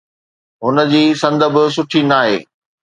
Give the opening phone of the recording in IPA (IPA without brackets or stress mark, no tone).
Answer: ɦ